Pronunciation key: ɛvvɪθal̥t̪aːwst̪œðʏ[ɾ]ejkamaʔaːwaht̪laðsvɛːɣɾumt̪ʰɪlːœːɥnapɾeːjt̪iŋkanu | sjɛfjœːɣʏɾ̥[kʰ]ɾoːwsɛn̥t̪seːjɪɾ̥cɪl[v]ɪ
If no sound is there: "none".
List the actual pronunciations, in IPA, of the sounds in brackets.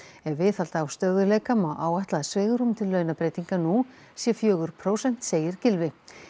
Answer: l, pʰ, v

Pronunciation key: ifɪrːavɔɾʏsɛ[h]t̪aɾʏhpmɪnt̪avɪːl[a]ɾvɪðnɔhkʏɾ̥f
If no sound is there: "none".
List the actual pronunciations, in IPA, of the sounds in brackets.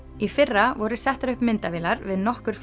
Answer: h, a

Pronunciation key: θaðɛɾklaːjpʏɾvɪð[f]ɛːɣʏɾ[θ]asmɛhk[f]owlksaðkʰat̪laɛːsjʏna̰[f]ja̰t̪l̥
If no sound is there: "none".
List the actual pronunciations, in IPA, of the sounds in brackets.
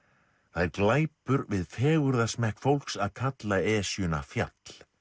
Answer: f, ð, f, f

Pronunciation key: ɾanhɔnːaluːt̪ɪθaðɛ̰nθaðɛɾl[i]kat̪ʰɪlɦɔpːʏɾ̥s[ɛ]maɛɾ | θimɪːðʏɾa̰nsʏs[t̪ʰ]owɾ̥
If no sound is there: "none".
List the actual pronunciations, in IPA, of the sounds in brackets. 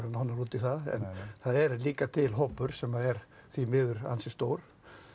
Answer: iː, ɛ, t̪

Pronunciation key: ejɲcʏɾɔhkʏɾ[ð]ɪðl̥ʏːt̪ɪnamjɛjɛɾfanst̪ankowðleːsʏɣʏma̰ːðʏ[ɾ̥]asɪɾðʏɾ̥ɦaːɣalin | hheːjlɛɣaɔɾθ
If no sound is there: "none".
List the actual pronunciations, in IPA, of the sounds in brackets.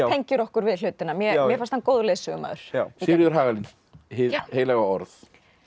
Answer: v, ɾ̥

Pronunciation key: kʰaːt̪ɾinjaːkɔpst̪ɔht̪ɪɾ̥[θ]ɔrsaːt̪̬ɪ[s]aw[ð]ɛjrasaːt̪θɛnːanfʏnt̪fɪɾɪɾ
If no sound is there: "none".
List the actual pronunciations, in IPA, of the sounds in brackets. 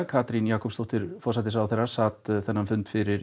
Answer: f, s, θ

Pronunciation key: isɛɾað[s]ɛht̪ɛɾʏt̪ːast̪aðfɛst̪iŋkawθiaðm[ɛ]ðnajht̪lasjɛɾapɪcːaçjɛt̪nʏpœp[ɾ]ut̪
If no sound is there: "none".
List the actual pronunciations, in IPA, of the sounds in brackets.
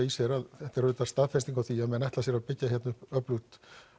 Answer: θ, ɛ, l

